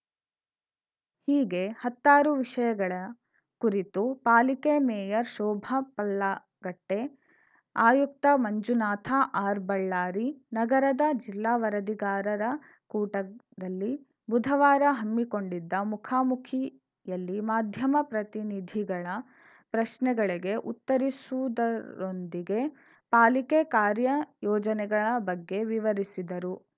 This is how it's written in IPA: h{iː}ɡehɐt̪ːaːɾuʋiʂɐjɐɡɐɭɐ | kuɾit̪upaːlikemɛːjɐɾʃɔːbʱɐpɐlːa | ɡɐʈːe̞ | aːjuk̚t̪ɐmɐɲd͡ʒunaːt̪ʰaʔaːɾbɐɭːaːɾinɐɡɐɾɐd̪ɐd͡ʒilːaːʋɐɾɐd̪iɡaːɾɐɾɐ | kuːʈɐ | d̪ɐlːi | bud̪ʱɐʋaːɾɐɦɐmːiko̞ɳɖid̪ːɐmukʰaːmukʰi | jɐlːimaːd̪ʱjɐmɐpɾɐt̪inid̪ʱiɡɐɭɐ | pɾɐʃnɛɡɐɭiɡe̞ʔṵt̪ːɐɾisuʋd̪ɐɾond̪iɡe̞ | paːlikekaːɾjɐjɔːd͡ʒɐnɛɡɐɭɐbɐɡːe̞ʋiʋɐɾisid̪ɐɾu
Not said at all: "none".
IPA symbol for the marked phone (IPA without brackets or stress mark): iː